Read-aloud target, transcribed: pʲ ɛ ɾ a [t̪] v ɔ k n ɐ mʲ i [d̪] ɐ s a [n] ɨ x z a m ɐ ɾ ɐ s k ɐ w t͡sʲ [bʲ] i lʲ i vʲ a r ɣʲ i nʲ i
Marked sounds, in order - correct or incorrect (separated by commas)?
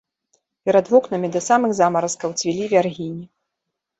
incorrect, correct, incorrect, incorrect